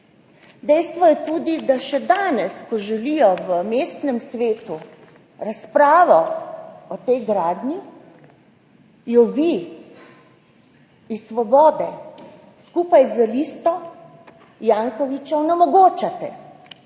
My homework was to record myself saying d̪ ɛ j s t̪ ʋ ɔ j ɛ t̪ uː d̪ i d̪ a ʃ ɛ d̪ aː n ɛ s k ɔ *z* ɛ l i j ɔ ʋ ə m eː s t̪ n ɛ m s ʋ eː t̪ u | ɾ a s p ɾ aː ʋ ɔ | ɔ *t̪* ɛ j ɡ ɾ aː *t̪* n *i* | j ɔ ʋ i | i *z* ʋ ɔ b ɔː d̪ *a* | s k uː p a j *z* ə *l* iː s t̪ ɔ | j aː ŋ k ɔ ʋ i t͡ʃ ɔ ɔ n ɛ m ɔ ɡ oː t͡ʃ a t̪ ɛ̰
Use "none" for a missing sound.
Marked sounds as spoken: ʒ, t̪, d̪, i, s, ɛ, z, l

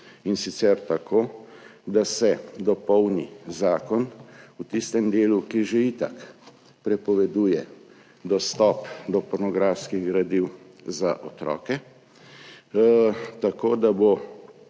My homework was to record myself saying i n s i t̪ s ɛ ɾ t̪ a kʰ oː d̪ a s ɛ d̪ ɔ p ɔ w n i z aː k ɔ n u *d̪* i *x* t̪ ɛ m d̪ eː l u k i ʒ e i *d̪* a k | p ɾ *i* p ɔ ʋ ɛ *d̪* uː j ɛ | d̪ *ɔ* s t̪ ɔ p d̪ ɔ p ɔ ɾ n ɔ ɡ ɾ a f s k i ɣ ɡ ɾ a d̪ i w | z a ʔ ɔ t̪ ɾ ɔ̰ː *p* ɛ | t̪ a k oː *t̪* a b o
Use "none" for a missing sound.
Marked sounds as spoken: t̪, s, t̪, ɛ, d̪, ɔ, k, d̪

